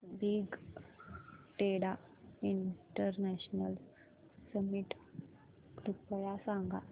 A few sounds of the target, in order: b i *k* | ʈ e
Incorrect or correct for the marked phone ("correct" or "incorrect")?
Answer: incorrect